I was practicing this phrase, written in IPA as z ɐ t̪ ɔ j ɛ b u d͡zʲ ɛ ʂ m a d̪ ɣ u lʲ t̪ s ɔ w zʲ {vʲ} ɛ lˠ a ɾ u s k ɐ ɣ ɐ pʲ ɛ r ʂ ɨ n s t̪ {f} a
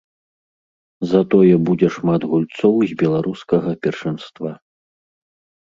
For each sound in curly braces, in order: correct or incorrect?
incorrect: bʲ, incorrect: v

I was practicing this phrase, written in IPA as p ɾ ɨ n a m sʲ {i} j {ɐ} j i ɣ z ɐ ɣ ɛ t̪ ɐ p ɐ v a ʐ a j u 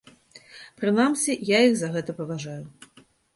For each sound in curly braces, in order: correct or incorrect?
correct, incorrect: a

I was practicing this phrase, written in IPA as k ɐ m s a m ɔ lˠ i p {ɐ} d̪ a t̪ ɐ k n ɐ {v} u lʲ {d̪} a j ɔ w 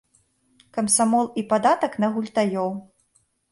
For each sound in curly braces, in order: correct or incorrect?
incorrect: a, incorrect: ɣ, incorrect: t̪

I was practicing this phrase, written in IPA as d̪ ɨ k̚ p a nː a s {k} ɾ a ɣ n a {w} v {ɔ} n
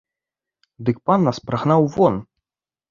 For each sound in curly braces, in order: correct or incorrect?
incorrect: p, correct, correct

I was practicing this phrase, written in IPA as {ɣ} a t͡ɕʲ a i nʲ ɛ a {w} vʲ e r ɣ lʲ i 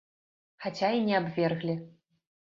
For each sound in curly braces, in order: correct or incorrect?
incorrect: x, incorrect: b

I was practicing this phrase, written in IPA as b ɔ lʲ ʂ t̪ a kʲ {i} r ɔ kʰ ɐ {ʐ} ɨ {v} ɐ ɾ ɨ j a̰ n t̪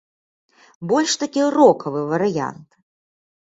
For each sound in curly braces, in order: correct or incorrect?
correct, incorrect: v, correct

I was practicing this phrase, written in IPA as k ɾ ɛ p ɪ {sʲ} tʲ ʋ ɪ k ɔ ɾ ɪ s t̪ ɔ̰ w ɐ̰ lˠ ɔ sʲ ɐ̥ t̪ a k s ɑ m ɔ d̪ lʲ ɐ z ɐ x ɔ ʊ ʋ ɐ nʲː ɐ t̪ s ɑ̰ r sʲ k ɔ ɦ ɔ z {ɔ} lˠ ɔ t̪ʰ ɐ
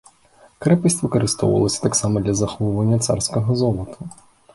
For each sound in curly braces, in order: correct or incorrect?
correct, correct

